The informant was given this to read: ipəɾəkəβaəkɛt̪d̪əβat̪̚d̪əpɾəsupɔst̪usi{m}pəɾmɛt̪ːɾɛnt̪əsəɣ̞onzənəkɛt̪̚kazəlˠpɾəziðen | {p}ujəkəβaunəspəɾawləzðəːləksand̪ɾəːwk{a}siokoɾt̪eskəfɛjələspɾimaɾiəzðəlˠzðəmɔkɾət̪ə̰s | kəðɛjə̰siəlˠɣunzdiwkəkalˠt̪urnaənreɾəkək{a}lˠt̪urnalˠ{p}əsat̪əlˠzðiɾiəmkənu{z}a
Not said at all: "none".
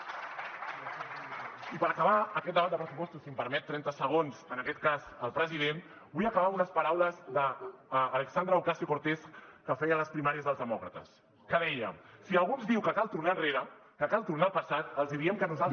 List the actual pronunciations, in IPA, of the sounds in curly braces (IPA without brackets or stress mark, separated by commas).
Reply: m, b, a, a, p, z